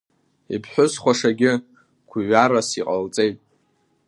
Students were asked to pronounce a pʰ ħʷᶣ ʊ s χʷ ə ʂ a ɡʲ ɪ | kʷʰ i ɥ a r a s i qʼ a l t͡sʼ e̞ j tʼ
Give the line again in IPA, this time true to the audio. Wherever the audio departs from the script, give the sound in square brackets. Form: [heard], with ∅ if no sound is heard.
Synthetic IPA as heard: [i] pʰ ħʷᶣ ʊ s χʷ [a] ʂ a ɡʲ ɪ | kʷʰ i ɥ a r a s i qʼ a l t͡sʼ e̞ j tʼ